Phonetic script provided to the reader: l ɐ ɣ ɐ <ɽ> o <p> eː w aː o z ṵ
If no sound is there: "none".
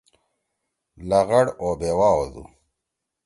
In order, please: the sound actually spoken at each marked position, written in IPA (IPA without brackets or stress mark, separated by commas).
ɽ, b